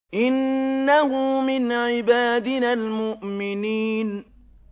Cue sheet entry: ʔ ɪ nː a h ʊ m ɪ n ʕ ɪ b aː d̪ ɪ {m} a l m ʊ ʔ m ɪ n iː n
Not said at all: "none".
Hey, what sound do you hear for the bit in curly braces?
n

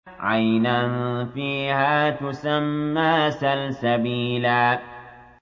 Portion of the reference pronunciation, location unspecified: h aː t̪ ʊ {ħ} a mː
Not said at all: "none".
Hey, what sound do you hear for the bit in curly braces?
s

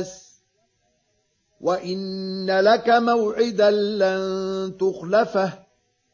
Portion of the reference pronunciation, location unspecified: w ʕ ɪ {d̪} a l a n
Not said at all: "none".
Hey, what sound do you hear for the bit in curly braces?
d̪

